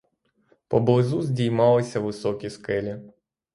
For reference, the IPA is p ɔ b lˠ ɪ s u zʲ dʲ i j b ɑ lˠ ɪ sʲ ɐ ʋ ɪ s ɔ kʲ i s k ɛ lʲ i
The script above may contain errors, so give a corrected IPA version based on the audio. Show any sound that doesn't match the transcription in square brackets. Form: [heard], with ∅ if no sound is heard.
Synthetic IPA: p ɔ b lˠ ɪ [z] u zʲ dʲ i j [m] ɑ lˠ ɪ sʲ ɐ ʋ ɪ s ɔ kʲ i s k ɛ lʲ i